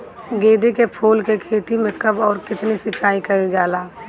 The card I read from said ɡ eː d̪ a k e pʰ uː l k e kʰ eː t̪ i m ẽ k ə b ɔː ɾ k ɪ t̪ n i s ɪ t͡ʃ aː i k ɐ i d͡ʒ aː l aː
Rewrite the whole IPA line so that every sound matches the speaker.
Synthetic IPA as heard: ɡ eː d̪ e k e pʰ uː l k e kʰ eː t̪ i m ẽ k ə b ɔː ɾ k ɪ t̪ n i s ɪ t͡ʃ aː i k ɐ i d͡ʒ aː l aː